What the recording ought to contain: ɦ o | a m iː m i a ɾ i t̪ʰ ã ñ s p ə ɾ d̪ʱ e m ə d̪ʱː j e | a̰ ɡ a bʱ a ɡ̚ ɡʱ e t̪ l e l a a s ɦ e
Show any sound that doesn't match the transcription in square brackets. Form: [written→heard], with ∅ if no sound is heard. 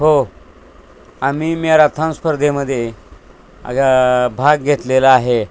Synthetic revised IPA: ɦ o | a m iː m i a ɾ [i→a] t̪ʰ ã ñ s p ə ɾ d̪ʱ e m ə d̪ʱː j e | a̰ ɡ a bʱ a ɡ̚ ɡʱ e t̪ l e l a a [s→∅] ɦ e